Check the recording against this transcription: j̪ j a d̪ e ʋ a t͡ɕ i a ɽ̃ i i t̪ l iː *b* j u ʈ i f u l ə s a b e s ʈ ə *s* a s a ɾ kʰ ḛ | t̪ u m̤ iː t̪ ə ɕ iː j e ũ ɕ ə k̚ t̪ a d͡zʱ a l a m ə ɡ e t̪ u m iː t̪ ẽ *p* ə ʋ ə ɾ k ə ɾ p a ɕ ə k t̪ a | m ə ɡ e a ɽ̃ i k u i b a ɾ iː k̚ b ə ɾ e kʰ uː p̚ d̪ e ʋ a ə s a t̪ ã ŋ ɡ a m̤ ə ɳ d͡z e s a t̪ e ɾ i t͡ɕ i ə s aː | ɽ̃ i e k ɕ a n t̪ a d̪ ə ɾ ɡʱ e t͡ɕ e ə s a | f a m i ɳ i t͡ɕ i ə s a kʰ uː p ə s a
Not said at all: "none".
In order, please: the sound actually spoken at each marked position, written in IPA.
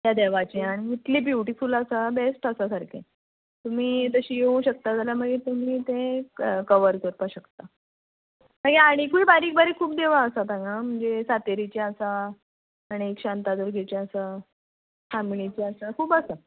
b, s, k

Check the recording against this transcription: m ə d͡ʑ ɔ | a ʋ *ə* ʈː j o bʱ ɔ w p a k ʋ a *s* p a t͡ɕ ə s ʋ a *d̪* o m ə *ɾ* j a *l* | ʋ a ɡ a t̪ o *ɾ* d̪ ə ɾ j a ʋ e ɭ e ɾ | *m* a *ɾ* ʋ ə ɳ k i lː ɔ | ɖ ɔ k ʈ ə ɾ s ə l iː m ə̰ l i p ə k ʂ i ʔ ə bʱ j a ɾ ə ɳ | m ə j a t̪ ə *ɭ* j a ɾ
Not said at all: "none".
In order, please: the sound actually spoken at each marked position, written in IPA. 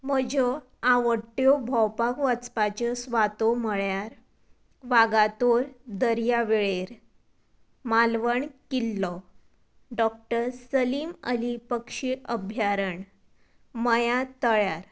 ə, t͡s, t̪, ɭ, ɾ, ɾ, m, l, ɭ

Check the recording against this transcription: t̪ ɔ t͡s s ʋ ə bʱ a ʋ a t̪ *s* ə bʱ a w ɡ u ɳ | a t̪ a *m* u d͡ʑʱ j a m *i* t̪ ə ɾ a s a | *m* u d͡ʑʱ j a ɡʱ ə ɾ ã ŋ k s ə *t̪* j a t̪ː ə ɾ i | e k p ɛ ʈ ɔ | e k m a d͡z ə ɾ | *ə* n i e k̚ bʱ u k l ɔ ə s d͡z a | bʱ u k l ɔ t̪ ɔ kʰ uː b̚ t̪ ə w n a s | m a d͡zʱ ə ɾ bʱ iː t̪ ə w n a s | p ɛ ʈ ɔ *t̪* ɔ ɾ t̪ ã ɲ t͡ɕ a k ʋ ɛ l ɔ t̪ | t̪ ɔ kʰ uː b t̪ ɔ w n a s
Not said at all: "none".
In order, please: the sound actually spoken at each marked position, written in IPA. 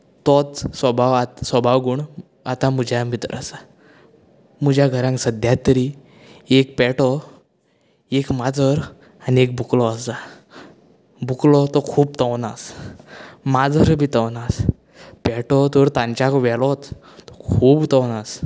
s, m, i, m, d̪, a, t̪

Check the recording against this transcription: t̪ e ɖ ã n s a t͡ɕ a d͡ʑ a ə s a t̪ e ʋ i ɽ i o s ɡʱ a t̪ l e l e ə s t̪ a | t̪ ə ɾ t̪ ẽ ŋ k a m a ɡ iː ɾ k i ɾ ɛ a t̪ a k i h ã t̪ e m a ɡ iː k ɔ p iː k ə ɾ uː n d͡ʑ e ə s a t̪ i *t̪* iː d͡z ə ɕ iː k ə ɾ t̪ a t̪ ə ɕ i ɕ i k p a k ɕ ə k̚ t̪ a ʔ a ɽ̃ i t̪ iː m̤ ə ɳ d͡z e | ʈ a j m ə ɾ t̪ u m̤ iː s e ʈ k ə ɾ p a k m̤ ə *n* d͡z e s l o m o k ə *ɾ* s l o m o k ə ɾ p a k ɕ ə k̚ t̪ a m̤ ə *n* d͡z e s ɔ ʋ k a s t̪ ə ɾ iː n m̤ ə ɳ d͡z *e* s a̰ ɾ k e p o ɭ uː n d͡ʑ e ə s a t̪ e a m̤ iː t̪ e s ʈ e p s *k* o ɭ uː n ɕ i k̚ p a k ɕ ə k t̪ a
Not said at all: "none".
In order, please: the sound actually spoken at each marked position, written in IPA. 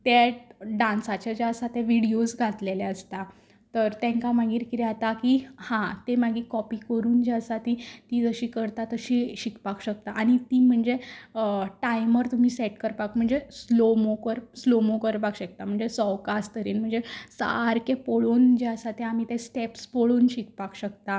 t̪, ɳ, ɾ, ɳ, e, p

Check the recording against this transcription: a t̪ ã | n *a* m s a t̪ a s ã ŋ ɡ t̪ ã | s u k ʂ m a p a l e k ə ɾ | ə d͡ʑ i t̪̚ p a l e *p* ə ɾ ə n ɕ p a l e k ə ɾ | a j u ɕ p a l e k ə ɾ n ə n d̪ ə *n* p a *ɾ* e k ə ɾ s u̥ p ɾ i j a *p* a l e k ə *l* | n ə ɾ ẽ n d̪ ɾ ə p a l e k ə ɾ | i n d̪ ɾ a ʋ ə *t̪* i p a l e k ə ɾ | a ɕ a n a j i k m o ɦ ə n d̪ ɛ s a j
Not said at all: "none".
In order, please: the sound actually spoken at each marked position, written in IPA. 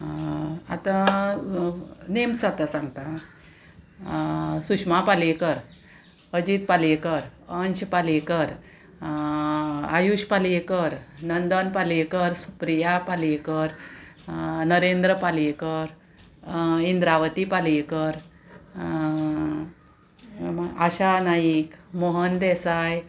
e, k, n, l, p, ɾ, t̪

